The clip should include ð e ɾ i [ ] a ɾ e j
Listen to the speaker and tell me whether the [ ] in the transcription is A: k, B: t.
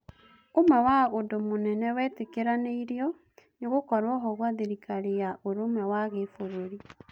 A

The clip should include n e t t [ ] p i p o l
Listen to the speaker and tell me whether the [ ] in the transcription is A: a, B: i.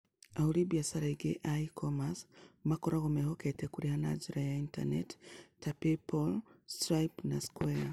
A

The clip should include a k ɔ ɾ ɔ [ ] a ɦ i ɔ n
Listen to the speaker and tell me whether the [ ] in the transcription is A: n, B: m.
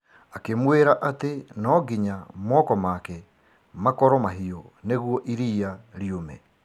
B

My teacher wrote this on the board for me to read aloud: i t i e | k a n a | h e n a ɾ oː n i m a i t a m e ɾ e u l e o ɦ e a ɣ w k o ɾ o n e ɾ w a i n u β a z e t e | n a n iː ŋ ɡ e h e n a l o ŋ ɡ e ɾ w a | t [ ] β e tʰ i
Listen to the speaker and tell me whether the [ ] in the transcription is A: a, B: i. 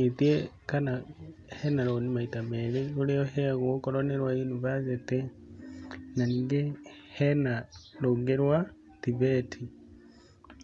B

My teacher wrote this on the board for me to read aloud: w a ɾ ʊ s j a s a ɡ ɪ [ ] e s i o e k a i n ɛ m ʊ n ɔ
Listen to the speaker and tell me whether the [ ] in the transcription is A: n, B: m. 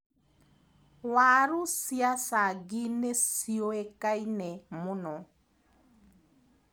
A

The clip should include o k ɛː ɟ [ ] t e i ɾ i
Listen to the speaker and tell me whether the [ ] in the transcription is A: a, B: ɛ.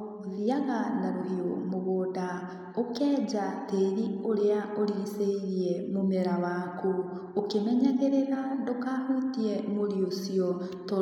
A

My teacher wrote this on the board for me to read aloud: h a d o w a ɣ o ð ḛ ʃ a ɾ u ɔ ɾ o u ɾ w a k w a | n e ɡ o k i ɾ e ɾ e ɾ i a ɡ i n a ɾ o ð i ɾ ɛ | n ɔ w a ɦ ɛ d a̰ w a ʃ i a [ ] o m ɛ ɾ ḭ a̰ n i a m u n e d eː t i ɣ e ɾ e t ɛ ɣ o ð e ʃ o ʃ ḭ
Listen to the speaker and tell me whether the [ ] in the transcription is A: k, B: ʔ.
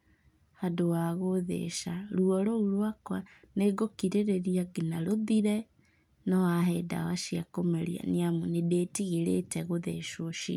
A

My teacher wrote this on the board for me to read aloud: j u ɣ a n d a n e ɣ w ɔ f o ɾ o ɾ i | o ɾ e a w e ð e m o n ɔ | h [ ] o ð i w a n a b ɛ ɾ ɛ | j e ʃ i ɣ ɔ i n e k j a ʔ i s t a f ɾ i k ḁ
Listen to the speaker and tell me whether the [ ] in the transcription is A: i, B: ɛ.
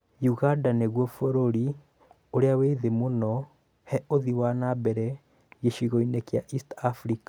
B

